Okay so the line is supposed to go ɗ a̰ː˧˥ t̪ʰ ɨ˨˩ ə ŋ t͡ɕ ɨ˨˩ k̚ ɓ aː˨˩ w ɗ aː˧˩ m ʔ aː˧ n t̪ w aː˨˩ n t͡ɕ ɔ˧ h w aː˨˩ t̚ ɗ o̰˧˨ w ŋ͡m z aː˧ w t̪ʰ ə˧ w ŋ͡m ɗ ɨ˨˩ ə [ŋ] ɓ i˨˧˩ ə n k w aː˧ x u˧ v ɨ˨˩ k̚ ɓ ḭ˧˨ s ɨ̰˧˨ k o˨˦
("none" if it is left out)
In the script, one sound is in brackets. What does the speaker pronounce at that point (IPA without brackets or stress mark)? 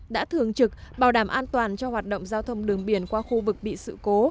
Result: ŋ